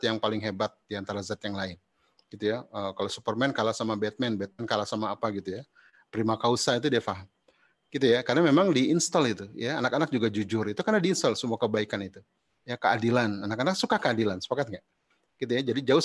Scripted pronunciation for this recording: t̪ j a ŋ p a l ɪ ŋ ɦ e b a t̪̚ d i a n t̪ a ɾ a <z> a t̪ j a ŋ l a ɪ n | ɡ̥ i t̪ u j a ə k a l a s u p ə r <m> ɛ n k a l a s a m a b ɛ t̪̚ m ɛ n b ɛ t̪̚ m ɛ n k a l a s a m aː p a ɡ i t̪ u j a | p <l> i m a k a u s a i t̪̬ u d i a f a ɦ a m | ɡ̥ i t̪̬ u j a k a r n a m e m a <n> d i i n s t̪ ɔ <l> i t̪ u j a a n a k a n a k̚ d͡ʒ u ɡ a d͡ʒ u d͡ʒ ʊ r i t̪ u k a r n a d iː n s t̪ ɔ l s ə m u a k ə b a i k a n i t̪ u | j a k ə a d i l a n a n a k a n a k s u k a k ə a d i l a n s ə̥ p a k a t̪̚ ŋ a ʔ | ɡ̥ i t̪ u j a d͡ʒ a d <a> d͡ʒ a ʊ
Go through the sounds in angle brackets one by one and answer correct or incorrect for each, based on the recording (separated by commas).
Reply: correct, correct, incorrect, incorrect, correct, incorrect